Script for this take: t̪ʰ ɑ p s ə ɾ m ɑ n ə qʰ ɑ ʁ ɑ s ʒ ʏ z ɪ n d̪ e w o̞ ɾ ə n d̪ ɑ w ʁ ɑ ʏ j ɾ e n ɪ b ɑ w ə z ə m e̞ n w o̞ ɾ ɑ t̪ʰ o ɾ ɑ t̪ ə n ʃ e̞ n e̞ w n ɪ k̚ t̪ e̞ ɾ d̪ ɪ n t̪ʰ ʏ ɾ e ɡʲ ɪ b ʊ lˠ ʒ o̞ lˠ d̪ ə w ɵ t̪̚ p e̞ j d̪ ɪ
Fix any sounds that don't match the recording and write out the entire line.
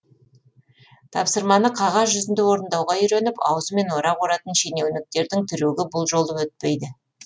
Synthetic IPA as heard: t̪ʰ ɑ p s ə ɾ m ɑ n ə qʰ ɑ ʁ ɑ z ʒ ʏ z ɪ n d̪ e w o̞ ɾ ə n d̪ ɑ w ʁ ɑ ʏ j ɾ e n ɪ p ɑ w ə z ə m e̞ n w o̞ ɾ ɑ o ɾ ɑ t̪ ə n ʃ e̞ n e̞ w n ɪ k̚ t̪ e̞ ɾ d̪ ɪ ŋ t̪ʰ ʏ ɾ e ɡʲ ɪ b ʊ lˠ ʒ o̞ lˠ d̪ ə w ɵ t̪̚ p e̞ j d̪ ɪ